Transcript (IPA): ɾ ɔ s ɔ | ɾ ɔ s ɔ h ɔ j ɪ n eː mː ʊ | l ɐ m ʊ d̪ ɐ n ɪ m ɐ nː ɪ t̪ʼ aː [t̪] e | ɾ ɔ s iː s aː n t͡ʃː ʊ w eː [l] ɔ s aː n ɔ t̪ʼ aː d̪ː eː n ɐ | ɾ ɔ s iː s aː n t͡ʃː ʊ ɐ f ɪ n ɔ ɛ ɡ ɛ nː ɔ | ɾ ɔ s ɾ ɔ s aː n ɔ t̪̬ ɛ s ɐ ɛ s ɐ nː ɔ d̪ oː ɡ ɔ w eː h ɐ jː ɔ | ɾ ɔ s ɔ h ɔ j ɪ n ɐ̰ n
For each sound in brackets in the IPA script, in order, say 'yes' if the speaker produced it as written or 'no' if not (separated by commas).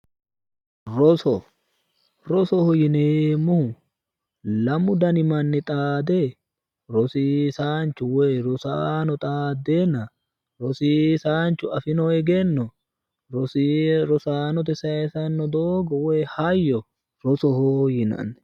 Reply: no, no